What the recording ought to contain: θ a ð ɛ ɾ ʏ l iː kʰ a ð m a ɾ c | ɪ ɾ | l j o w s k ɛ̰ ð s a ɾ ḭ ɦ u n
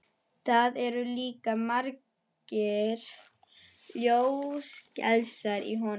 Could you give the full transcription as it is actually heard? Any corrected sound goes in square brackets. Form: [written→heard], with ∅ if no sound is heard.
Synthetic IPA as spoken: θ a ð ɛ ɾ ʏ l iː [kʰ→k] a [ð→∅] m a ɾ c | ɪ ɾ | l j o w s [k→c] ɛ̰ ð s a ɾ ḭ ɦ [u→ɔ] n